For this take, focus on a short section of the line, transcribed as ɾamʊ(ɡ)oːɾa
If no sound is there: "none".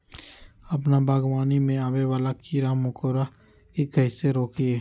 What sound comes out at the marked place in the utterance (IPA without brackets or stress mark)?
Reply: k